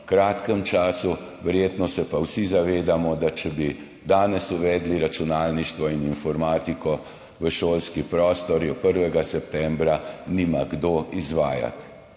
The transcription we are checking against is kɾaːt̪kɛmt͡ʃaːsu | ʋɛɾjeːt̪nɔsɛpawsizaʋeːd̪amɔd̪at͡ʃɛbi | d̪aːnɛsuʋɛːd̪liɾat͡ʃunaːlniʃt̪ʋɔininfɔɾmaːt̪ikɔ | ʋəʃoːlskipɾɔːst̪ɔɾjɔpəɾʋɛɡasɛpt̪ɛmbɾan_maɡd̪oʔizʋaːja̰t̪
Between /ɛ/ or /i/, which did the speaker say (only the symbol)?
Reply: i